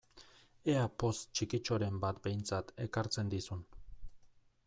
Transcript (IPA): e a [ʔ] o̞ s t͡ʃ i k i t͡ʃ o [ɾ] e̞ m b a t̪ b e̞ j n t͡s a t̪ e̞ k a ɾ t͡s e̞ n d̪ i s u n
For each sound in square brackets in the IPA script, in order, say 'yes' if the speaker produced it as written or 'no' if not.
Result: no, yes

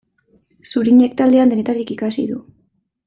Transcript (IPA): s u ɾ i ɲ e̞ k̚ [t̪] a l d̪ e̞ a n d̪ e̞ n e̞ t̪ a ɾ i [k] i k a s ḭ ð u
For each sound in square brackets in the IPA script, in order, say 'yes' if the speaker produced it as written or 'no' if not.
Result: yes, yes

